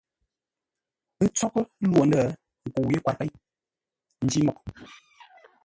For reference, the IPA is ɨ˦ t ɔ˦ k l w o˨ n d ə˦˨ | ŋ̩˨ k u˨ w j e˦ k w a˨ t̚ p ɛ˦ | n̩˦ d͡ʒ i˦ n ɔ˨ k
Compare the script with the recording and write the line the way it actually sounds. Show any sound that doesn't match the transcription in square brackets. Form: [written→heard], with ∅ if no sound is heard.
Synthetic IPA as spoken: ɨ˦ [t→t͡s] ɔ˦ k l w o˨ n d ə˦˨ | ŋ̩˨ k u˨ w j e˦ k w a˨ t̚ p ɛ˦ | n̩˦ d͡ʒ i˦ [n→m] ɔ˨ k

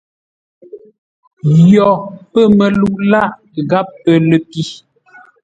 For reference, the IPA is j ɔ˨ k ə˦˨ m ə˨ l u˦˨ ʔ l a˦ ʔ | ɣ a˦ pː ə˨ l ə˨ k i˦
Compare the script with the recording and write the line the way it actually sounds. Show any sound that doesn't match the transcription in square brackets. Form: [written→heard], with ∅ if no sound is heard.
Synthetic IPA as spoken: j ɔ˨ [k→p] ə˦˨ m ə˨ l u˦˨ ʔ l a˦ ʔ | ɣ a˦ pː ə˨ l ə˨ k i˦

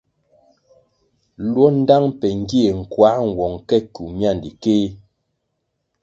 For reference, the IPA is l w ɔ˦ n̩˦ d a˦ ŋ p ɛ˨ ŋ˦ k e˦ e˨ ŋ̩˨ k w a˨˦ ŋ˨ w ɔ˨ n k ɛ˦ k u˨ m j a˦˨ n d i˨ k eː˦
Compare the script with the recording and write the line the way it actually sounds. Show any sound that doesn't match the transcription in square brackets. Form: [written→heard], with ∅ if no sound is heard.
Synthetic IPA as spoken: l w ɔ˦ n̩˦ d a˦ ŋ p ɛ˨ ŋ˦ [k→ɡ] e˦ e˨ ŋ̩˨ k w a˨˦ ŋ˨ w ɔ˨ [n→ŋ] k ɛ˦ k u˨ m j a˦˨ n d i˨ k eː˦

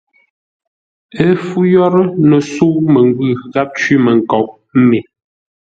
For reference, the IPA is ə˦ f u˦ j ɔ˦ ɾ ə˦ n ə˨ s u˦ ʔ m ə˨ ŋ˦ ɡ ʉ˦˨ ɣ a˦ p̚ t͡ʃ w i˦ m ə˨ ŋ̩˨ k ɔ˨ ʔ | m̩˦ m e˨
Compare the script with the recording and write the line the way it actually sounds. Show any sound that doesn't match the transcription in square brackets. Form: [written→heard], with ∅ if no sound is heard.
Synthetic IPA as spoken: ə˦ f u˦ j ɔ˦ ɾ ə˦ n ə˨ s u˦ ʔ m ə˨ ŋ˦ ɡ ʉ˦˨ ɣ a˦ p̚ t͡ʃ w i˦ m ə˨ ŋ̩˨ k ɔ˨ ʔ | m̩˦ m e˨

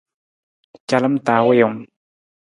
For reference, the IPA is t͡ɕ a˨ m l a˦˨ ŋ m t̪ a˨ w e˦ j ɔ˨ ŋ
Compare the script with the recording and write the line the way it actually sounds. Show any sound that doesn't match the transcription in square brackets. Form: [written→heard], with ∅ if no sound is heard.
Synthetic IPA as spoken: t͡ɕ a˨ [m→∅] l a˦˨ [ŋ→∅] m t̪ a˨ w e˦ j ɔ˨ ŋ

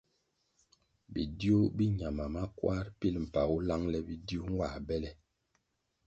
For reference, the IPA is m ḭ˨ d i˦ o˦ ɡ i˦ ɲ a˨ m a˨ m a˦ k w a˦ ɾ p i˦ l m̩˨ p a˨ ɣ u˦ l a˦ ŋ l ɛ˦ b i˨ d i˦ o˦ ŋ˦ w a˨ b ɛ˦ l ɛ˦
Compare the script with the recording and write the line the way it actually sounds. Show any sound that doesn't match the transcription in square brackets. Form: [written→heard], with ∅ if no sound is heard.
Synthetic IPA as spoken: [m→b] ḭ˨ d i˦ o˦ [ɡ→b] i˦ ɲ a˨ m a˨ m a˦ k w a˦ ɾ p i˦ l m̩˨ p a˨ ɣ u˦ l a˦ ŋ l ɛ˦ b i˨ d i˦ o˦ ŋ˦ w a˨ b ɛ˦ l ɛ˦

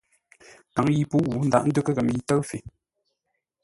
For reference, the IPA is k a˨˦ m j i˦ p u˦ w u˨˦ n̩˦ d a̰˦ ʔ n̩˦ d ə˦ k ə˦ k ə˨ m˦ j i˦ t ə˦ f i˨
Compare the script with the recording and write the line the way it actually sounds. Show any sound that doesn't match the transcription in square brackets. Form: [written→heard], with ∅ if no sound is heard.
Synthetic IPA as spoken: k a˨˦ [m→ŋ] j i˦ p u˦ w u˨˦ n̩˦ d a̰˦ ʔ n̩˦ d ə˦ k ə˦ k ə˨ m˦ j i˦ t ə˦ f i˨

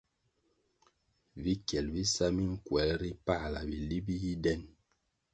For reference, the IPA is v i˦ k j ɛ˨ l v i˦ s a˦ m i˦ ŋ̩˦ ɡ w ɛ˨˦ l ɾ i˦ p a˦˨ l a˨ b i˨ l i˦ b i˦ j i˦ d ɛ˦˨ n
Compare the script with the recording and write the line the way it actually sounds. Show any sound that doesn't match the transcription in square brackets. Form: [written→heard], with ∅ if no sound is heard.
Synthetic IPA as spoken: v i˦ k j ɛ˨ l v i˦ s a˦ m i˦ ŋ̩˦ [ɡ→k] w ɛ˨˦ l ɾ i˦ p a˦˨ l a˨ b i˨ l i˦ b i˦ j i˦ d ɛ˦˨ n

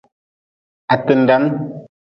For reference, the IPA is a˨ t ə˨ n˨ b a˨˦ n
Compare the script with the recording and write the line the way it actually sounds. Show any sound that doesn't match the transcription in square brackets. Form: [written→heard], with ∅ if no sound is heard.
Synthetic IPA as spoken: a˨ t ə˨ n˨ [b→d] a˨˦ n

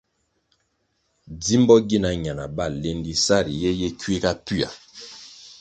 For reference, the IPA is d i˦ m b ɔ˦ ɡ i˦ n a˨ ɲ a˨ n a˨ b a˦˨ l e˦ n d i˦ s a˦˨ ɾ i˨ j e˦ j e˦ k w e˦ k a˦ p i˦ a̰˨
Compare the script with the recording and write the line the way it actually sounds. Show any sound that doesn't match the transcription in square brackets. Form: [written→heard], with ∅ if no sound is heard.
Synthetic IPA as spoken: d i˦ m b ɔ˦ ɡ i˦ n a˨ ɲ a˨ n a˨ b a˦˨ l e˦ n d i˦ s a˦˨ ɾ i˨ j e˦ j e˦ k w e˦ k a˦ p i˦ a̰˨

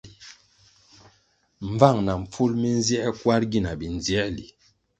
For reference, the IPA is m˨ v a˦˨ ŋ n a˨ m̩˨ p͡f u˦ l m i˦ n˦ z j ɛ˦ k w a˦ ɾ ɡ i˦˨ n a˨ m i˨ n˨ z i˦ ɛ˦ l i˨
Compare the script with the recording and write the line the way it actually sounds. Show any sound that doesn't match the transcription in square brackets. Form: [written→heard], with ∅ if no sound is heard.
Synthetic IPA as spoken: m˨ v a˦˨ ŋ n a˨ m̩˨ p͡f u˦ l m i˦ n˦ z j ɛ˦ k w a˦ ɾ ɡ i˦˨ n a˨ [m→b] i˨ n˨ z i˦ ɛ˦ l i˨

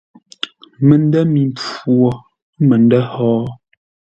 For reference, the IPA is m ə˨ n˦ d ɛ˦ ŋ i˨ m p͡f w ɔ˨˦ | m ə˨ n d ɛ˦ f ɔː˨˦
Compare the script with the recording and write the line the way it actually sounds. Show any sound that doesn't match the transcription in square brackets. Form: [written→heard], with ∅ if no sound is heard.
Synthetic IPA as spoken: m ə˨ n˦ d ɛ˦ [ŋ→m] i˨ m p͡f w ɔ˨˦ | m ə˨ n d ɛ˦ [f→h] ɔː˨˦

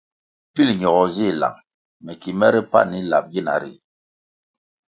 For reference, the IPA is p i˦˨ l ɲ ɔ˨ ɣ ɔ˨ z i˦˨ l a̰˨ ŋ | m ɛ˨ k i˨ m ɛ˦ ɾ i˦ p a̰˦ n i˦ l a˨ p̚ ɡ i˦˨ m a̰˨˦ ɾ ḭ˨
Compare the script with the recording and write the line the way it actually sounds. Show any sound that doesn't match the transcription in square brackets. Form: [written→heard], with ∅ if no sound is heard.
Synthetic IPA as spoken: p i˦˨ l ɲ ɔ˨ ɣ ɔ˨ z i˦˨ l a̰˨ ŋ | m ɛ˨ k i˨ m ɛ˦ ɾ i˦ p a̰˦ n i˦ l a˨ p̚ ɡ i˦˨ [m→n] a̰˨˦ ɾ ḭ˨

